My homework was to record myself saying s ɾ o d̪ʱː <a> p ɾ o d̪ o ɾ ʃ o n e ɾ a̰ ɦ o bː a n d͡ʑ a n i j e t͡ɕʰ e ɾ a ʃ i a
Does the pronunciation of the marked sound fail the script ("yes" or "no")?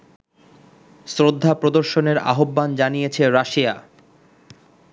no